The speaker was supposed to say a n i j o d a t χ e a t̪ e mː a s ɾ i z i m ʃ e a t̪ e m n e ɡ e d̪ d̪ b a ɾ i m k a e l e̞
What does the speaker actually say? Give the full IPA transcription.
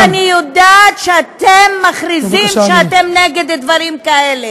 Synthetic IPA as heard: a n i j o d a t ʃ e a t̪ e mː a χ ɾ i z i m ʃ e a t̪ e m n e ɡ e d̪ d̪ v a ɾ i m k a e l e̞